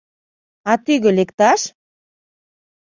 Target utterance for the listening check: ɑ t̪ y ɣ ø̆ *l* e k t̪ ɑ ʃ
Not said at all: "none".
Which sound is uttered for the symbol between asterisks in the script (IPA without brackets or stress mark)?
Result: l